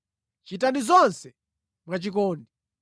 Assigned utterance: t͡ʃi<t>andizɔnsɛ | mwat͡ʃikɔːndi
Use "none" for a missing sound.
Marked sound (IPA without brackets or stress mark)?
t